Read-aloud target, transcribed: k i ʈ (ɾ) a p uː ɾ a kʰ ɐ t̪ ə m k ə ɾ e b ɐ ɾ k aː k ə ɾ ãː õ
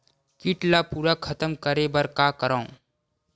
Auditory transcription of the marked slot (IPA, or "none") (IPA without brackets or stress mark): l